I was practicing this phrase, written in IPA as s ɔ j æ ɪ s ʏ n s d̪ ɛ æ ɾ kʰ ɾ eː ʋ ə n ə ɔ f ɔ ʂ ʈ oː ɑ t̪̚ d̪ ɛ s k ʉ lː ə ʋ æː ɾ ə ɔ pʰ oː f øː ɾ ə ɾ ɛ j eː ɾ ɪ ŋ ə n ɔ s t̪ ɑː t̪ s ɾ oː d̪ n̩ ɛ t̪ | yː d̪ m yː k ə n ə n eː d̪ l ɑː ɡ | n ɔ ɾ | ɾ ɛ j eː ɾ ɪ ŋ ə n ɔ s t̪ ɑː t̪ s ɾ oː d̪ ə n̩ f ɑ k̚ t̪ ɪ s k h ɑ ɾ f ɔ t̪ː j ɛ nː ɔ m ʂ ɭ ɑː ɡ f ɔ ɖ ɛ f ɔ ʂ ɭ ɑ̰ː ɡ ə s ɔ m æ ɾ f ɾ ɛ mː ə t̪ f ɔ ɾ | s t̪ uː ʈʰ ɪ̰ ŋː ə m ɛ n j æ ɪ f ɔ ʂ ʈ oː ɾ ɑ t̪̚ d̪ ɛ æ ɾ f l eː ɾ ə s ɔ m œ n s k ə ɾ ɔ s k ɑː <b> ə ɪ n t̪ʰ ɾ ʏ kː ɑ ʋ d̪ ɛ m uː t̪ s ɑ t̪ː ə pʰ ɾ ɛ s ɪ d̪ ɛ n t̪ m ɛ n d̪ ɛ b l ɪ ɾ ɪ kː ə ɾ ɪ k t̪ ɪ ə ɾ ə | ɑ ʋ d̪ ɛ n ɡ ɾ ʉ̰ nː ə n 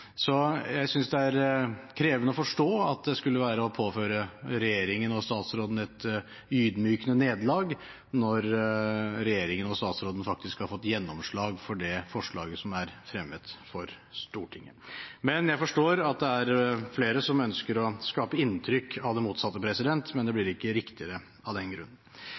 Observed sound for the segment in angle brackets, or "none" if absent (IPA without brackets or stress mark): p